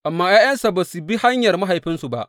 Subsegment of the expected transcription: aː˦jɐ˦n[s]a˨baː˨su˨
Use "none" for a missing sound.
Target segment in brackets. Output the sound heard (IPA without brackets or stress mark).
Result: s